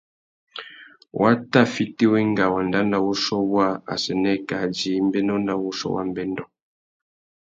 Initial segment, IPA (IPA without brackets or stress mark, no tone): w